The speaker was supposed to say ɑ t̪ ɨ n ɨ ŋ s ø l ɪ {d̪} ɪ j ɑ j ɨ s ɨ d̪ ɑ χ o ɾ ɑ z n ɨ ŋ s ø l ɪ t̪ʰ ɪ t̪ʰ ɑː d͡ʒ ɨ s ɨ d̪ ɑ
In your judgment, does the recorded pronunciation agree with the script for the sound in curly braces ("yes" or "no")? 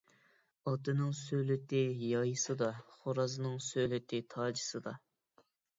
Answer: no